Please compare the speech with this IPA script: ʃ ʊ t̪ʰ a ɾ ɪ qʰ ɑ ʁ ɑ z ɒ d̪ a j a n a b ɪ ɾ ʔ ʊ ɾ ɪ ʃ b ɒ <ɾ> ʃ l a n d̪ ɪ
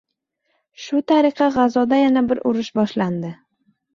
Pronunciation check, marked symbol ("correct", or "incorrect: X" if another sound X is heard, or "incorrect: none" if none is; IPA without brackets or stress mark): incorrect: none